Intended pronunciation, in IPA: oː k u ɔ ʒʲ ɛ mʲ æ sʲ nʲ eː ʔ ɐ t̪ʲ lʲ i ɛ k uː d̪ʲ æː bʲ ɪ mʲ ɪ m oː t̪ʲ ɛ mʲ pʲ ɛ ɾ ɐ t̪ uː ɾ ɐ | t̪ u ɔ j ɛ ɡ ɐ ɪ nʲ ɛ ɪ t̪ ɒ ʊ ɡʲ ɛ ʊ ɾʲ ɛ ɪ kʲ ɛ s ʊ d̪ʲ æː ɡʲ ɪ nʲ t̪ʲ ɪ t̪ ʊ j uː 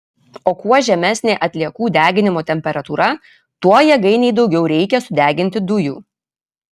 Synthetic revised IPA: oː k u ɔ ʒʲ ɛ mʲ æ sʲ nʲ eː ʔ ɐ t̪ʲ lʲ i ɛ k uː d̪ʲ æː ɡʲ ɪ nʲ ɪ m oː t̪ʲ ɛ mʲ pʲ ɛ ɾ ɐ t̪ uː ɾ ɐ | t̪ u ɔ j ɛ ɡ ɐ ɪ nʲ ɛ ɪ d̪ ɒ ʊ ɡʲ ɛ ʊ ɾʲ ɛ ɪ kʲ ɛ s ʊ d̪ʲ æː ɡʲ ɪ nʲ t̪ʲ ɪ d̪ ʊ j uː